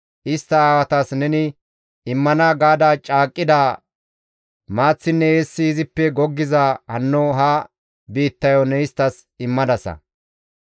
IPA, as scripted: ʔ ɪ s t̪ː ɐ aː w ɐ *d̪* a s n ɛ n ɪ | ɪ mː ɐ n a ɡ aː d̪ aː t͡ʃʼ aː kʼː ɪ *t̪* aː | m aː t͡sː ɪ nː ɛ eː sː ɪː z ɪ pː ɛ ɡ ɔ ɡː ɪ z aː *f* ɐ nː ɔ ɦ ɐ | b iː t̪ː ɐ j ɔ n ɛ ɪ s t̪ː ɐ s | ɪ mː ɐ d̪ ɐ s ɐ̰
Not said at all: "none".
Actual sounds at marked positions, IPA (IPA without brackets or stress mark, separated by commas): t̪, d̪, h